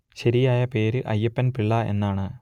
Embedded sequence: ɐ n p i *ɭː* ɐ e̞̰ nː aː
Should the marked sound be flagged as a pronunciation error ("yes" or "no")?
no